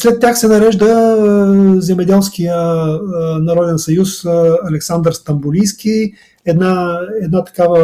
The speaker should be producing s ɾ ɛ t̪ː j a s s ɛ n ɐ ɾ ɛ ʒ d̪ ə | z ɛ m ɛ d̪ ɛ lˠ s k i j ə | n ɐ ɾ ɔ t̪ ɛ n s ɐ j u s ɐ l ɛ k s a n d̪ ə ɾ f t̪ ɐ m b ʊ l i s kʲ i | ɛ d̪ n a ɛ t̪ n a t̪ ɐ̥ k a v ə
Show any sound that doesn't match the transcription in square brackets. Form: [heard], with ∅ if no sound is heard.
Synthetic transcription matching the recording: s [l] ɛ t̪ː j a [x] s ɛ n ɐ ɾ ɛ ʒ d̪ ə | z ɛ m ɛ d̪ ɛ lˠ s k i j ə | n ɐ ɾ ɔ [d̪] ɛ n s ɐ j u s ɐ l ɛ k s a n d̪ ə ɾ [s] t̪ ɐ m b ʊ l i s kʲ i | ɛ d̪ n a ɛ [d̪] n a t̪ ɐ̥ k a v ə